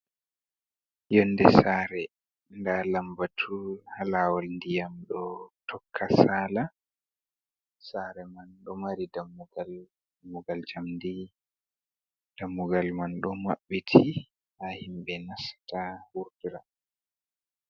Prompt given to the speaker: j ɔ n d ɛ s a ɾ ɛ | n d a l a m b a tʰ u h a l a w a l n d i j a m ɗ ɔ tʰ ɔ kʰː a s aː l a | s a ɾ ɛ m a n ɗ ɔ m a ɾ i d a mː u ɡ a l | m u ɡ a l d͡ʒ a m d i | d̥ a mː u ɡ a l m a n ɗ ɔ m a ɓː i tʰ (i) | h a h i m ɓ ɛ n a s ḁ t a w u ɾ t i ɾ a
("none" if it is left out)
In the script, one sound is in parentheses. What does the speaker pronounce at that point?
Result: i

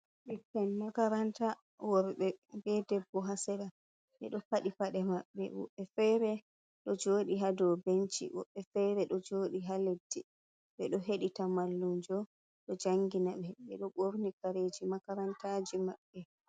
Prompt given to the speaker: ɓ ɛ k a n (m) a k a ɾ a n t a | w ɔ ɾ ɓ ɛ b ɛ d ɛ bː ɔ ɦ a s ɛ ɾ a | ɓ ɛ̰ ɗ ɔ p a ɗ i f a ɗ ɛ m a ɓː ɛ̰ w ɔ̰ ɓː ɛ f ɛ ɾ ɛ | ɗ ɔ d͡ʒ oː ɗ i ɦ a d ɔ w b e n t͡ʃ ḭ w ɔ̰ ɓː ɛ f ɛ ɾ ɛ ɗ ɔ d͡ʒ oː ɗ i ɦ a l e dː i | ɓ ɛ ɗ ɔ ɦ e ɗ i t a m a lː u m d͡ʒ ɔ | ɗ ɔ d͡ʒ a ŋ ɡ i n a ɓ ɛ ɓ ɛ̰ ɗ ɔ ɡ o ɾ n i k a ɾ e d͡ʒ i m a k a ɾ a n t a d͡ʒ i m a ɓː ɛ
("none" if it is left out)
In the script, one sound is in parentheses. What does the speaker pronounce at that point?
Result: m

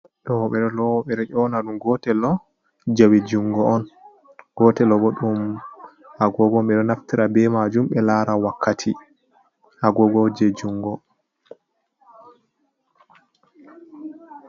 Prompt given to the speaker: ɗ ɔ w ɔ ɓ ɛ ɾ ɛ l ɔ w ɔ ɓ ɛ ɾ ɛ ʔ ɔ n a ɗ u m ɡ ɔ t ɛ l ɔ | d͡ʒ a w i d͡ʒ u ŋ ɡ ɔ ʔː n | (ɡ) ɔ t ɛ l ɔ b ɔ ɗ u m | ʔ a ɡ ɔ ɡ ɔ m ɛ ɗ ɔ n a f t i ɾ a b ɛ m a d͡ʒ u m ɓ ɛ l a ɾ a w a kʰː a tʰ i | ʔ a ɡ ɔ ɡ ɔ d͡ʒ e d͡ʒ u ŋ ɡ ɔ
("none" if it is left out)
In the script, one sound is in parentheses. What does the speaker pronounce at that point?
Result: ɡ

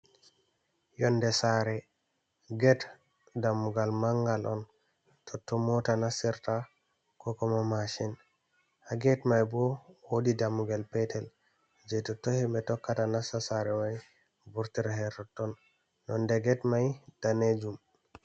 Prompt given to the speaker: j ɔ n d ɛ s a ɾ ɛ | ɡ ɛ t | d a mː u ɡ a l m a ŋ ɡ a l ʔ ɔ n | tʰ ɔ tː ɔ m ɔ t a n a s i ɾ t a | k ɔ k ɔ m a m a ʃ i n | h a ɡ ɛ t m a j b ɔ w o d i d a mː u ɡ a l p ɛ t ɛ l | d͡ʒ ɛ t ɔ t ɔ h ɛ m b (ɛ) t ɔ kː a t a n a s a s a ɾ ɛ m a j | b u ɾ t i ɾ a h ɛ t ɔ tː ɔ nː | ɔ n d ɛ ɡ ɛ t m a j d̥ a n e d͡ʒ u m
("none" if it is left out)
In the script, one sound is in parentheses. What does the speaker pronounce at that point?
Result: ɛ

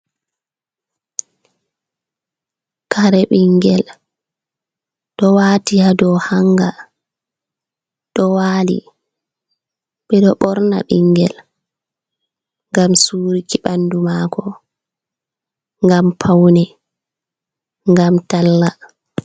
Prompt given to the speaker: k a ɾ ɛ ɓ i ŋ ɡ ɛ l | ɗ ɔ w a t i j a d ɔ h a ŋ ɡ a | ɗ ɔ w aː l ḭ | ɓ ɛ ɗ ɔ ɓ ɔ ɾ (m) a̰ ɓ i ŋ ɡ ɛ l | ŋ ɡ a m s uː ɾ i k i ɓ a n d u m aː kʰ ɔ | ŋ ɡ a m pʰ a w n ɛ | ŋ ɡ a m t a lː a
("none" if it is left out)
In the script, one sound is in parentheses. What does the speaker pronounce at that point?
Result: n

